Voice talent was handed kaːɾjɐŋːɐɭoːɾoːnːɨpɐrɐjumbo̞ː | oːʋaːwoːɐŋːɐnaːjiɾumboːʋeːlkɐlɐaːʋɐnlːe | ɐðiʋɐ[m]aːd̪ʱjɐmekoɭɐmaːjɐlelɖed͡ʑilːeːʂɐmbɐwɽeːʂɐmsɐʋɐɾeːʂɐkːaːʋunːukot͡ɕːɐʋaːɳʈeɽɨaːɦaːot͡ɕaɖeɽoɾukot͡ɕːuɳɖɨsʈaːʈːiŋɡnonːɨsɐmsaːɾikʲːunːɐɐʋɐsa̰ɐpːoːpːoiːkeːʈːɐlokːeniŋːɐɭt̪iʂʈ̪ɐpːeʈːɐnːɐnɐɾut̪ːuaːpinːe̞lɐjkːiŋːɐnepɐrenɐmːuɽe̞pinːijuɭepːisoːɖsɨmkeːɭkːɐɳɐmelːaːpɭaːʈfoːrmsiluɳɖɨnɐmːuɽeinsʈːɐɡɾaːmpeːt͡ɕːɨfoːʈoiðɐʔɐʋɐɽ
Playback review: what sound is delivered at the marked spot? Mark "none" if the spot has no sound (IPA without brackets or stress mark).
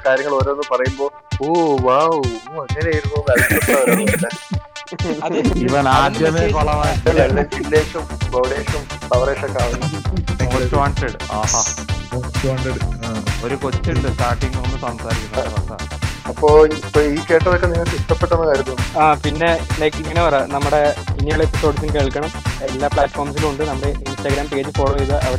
n